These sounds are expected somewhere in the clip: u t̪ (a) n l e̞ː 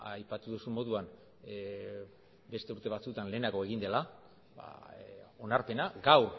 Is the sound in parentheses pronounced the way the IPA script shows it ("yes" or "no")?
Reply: yes